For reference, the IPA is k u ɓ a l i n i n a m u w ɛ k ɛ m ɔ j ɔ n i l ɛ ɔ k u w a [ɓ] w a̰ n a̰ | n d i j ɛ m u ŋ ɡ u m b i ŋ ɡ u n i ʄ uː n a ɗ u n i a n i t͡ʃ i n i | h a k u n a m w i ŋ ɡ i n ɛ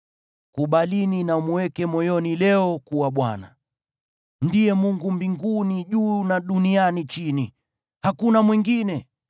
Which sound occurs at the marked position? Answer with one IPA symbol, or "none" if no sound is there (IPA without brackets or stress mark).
ɓ